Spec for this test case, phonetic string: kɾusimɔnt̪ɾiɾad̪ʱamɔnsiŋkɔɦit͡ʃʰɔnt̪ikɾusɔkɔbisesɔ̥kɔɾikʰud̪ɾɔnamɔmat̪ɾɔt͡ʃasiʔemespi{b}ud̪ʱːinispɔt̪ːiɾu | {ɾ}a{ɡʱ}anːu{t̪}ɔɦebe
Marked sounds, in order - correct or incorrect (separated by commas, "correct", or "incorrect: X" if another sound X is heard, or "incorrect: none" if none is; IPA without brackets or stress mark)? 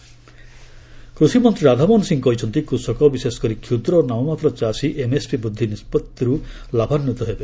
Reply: correct, incorrect: l, incorrect: bʱ, correct